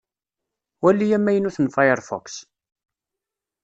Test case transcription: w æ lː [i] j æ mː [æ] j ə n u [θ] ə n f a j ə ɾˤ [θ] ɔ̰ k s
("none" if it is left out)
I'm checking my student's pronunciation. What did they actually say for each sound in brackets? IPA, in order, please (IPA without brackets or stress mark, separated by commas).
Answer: i, æ, θ, f